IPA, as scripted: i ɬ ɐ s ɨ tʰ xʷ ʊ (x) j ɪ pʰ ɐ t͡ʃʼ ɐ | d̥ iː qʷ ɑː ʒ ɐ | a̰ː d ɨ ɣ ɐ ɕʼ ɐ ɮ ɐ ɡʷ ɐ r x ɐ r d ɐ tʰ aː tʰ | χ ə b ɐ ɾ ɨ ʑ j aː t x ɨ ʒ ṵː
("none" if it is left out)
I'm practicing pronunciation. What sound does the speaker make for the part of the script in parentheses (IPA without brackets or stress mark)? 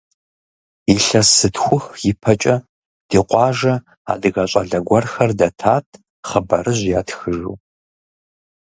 x